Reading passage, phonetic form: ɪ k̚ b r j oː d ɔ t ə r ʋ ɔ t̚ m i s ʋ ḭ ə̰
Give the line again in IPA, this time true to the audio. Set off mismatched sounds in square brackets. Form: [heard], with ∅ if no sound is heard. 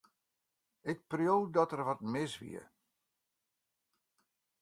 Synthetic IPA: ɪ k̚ [p] r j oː d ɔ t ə r ʋ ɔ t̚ m [ɪ] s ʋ ḭ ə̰